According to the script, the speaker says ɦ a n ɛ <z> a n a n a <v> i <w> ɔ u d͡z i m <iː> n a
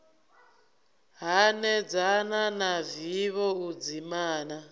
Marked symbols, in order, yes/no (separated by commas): no, yes, no, no